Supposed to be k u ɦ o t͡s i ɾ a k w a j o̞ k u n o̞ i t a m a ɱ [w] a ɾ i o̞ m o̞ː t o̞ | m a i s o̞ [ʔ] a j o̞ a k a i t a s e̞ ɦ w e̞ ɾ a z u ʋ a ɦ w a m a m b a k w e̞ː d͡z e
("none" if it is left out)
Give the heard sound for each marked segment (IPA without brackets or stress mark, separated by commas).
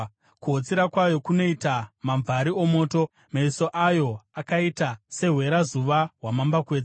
v, ʔ